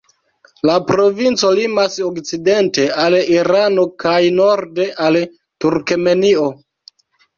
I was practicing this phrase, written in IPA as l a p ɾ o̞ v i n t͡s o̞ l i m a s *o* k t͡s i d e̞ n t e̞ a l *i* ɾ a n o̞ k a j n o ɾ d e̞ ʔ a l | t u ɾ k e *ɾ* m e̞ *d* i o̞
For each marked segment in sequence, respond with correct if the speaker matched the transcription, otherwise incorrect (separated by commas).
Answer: correct, correct, incorrect, incorrect